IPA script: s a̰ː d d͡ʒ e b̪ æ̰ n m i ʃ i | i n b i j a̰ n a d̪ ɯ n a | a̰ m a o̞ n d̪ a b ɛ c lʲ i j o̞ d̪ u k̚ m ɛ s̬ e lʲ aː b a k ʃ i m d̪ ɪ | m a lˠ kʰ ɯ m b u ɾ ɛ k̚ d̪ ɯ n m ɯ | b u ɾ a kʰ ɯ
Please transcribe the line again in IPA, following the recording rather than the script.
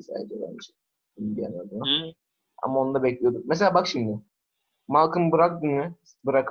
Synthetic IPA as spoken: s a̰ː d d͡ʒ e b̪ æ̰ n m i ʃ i | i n b i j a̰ n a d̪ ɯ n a | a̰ m a o̞ n d̪ a b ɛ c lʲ i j o̞ d̪ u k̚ m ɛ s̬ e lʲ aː b a k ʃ i m d̪ ɪ | m a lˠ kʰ ɯ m b ɯ ɾ a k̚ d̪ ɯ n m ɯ | b ɯ ɾ a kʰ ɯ